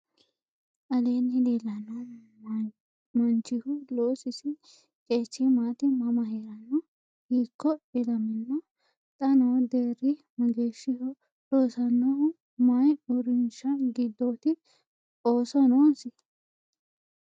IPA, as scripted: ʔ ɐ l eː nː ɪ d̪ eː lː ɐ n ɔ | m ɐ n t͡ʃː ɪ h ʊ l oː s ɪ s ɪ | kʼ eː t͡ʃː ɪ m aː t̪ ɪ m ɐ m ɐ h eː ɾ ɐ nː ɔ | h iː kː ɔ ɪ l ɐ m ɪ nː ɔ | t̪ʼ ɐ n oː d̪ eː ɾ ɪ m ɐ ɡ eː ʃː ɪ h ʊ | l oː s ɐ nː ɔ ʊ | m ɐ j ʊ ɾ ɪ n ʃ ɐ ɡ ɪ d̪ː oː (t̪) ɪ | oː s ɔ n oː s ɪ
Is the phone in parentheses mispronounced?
no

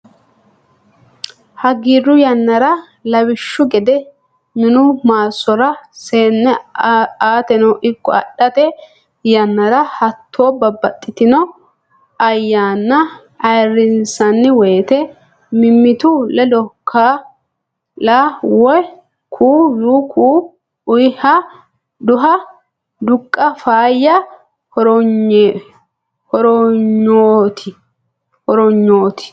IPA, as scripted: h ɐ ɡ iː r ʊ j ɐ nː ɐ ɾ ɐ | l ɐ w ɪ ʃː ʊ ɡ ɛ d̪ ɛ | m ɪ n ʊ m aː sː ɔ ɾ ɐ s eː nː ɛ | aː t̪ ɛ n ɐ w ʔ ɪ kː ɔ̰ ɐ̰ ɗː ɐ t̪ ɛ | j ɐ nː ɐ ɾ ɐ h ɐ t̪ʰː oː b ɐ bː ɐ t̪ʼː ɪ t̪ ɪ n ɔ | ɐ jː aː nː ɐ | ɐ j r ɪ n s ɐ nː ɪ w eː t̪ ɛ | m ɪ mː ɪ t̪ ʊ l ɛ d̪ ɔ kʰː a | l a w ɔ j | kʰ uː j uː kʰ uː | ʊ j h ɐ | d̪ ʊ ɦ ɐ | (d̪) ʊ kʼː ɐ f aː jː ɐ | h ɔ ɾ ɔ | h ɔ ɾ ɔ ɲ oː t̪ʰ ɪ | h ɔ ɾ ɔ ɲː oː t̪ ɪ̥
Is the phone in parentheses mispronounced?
no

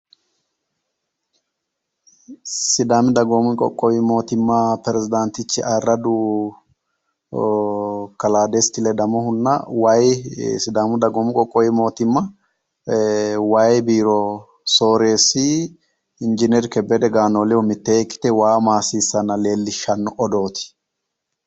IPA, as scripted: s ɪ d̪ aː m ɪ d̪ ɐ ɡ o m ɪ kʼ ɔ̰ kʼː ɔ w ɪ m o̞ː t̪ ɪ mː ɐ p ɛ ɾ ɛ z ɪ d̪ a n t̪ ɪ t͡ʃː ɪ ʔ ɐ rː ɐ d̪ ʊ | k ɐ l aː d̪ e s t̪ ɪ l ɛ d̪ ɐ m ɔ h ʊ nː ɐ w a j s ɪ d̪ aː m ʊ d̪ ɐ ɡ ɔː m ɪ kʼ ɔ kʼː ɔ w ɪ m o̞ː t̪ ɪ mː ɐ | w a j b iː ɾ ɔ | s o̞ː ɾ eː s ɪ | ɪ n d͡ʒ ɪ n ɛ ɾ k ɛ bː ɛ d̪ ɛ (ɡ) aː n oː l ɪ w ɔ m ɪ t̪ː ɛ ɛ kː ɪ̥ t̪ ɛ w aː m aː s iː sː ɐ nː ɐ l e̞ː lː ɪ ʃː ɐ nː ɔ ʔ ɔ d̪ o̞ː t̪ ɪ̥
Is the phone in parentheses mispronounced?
no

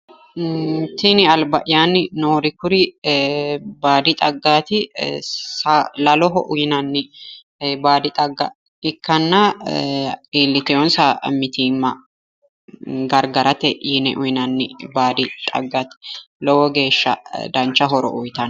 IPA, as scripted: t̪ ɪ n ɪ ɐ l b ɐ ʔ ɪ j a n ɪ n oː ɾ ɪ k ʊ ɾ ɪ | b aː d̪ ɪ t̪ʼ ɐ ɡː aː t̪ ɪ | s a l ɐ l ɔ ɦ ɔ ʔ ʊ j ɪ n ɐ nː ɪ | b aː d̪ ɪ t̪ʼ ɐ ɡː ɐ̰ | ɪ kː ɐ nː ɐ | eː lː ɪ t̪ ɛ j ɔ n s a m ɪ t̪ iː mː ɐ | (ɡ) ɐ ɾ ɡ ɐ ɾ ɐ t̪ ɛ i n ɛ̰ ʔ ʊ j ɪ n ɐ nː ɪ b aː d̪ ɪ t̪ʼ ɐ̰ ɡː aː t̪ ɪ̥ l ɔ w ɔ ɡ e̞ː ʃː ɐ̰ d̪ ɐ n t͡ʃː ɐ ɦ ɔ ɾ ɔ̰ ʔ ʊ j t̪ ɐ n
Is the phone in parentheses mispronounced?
no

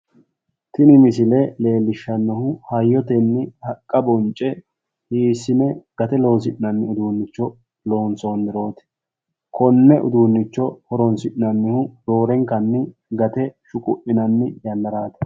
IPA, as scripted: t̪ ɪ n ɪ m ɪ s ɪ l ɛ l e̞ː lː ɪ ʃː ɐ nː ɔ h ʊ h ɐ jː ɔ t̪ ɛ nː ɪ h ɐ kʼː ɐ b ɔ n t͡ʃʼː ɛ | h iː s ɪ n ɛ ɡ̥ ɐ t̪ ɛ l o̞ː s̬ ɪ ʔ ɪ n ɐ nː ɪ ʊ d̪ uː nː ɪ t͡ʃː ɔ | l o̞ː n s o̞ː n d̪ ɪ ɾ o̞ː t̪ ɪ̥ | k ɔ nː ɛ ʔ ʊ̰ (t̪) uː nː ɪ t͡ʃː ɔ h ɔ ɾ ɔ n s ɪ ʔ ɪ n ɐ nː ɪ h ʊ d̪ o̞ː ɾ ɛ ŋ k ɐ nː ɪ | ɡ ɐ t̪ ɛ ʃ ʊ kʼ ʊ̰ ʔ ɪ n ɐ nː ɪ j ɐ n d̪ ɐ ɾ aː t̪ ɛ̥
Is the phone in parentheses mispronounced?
yes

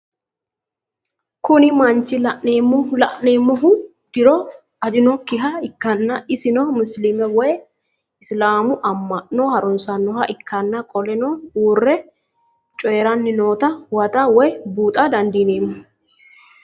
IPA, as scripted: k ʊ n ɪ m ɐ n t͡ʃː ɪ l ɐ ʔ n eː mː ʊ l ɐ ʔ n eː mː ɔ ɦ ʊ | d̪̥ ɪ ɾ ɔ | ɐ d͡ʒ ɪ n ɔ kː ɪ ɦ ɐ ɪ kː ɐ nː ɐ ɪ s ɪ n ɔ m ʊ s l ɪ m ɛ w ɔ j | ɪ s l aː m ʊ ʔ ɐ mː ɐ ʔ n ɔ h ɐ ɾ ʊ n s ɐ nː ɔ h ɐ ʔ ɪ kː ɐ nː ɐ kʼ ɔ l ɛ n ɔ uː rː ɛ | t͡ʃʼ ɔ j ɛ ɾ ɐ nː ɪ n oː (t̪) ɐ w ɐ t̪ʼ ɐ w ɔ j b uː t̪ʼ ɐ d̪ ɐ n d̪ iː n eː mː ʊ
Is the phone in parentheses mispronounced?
no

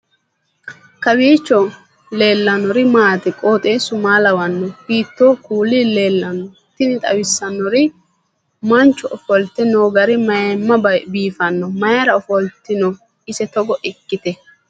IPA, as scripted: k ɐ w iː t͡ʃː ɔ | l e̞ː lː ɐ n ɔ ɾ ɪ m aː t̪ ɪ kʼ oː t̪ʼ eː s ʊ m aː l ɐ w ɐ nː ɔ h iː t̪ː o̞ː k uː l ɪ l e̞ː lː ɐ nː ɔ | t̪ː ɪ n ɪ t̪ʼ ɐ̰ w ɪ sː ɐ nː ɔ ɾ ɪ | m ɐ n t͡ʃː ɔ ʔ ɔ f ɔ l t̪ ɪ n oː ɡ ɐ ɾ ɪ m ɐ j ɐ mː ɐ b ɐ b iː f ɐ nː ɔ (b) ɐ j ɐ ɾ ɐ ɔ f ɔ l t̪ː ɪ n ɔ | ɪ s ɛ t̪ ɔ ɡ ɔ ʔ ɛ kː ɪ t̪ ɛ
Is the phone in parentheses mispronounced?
yes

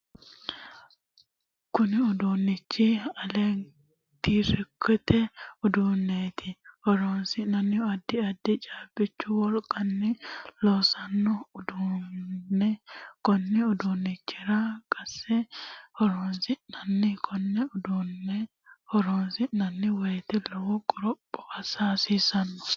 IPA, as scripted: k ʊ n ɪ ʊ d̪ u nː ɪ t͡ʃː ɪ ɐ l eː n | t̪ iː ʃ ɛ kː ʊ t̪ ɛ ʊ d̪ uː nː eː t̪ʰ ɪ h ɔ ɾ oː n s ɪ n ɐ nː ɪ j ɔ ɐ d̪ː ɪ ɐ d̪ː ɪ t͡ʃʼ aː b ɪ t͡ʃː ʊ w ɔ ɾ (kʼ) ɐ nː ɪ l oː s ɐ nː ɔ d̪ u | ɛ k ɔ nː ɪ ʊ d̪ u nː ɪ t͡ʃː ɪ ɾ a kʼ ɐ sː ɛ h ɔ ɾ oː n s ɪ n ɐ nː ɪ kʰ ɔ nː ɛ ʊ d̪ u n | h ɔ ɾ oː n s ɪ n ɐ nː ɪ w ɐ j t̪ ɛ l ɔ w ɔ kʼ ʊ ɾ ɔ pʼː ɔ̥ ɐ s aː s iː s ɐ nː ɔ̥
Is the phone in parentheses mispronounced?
no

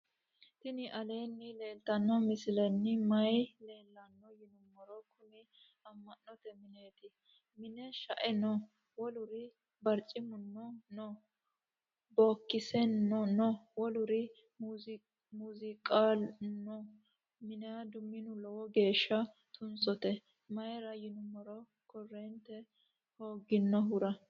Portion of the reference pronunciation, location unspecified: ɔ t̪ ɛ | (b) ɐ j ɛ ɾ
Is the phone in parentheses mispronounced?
yes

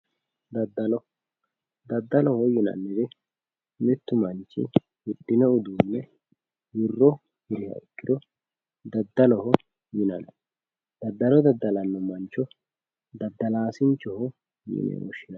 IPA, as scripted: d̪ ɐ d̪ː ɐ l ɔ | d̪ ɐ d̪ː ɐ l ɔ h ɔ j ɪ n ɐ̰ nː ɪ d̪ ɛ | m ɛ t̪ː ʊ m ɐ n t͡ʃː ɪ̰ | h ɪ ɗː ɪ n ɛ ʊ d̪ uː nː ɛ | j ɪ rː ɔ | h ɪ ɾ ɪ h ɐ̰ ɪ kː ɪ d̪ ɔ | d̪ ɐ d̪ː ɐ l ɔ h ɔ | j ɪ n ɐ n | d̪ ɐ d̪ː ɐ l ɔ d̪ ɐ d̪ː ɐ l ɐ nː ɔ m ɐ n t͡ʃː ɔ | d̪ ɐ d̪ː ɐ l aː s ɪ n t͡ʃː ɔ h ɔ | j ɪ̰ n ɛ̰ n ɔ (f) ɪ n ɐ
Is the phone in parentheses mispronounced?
yes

